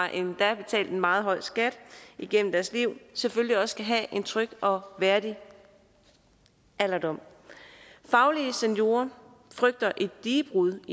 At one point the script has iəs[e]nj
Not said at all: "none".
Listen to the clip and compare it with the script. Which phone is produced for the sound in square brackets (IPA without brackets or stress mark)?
e